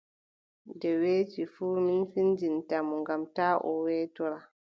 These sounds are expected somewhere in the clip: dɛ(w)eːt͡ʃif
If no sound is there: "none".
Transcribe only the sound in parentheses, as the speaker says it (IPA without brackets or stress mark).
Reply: w